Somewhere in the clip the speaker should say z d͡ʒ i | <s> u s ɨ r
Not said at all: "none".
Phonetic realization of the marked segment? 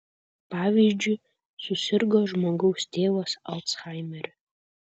s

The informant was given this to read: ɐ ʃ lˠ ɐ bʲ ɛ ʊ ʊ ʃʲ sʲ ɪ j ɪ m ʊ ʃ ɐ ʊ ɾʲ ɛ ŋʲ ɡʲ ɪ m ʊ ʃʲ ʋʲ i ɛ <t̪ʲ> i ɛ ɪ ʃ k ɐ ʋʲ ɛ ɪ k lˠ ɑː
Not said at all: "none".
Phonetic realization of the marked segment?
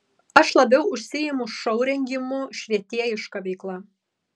t̪ʲ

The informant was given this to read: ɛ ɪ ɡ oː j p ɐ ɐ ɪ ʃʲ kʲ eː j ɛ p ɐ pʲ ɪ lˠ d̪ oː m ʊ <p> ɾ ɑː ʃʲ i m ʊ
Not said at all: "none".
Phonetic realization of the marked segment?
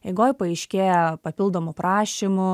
p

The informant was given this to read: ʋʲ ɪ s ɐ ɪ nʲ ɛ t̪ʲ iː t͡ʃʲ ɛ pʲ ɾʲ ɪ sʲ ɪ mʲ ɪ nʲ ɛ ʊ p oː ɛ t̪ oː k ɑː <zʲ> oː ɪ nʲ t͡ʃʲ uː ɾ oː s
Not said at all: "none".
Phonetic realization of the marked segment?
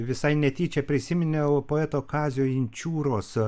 zʲ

